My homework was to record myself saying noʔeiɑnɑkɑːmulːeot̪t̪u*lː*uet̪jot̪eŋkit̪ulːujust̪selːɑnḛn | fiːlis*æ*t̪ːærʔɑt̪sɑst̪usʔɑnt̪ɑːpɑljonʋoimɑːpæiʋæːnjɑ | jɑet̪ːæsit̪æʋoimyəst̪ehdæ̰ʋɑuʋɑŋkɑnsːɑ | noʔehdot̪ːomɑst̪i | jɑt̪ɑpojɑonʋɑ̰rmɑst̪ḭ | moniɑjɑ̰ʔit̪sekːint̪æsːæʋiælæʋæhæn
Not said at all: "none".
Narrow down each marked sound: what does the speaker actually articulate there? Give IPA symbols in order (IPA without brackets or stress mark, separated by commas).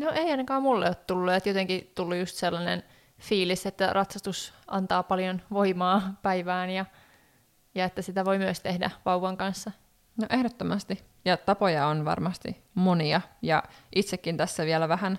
lː, e